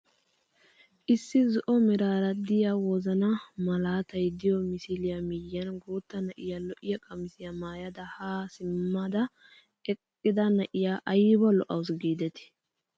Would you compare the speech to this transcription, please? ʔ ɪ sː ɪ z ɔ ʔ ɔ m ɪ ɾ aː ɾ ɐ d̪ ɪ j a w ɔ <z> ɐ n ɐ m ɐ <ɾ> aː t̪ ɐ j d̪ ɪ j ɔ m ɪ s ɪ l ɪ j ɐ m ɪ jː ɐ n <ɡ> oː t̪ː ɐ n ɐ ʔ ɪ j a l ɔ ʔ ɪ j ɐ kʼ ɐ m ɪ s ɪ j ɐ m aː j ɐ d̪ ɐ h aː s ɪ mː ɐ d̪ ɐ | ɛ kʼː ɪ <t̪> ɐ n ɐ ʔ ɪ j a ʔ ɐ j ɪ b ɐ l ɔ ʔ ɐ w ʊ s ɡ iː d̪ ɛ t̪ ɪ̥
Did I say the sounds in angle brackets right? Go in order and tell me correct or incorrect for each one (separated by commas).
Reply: correct, incorrect, correct, incorrect